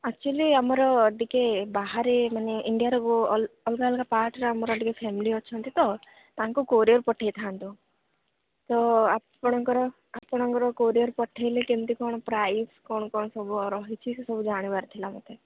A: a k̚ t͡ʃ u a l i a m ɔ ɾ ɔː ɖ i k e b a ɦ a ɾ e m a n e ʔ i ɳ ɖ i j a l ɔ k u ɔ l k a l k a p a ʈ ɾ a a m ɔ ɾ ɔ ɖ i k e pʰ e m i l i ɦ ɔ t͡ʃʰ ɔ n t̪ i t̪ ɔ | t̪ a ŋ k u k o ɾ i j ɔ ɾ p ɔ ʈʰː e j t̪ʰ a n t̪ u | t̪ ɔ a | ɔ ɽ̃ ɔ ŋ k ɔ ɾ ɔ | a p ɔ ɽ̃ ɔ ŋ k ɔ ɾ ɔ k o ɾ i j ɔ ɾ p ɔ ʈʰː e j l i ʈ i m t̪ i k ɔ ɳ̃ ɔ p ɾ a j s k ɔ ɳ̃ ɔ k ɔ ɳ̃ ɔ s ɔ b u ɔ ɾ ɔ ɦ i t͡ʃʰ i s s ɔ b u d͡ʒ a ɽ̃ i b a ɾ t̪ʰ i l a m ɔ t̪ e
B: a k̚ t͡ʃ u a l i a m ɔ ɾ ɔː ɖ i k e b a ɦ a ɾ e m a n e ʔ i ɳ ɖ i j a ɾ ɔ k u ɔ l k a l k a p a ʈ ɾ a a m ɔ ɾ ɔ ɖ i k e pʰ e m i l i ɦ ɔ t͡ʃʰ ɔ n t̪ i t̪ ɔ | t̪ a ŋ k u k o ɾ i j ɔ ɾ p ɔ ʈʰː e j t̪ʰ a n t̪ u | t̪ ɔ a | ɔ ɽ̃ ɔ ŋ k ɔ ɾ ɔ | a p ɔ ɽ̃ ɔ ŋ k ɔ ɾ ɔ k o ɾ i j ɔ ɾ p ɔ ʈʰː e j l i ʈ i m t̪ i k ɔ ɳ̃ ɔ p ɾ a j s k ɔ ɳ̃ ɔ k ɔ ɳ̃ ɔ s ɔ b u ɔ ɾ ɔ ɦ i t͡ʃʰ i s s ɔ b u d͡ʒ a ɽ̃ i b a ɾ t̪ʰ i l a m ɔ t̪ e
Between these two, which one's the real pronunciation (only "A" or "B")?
B